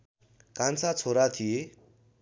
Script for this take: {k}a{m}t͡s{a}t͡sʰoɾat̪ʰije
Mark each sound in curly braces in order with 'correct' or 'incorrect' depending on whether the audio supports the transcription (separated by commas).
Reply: correct, incorrect, correct